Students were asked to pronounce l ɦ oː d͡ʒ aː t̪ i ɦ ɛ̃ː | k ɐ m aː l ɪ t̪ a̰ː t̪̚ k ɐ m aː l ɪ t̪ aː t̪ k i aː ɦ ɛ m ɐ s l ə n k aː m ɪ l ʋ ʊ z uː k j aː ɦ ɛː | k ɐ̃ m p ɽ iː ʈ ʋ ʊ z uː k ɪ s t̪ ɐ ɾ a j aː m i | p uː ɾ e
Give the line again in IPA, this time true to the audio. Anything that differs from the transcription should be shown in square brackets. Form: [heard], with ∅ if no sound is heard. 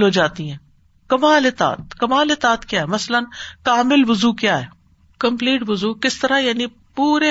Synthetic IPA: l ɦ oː d͡ʒ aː t̪ i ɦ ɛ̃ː | k ɐ m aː l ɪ t̪ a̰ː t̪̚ k ɐ m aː l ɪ t̪ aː t̪ k [j] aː ɦ ɛ m ɐ s l ə n k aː m ɪ l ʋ ʊ z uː k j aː ɦ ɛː | k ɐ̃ m p [l] iː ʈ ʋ ʊ z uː k ɪ s t̪ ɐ ɾ a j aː [n] i | p uː ɾ e